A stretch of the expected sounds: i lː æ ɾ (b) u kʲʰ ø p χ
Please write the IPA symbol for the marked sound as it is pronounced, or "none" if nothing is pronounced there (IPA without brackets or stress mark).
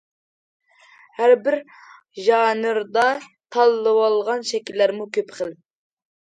m